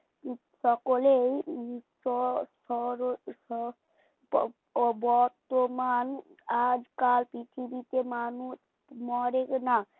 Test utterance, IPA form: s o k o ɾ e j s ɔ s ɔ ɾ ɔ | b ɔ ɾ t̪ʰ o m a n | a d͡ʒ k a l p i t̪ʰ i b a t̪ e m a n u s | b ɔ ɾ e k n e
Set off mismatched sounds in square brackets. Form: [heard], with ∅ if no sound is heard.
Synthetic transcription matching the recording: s [ɔ] k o [l] e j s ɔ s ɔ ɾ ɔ | b ɔ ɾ [t̪] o m a n | a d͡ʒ k a l p i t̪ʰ i b [i] t̪ e m a n u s | [m] ɔ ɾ e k n [a]